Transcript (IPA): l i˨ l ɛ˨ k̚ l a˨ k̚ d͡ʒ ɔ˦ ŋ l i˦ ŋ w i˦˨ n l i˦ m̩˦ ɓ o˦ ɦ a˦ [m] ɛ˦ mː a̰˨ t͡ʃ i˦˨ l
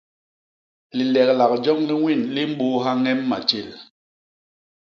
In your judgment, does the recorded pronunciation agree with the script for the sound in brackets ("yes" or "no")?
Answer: no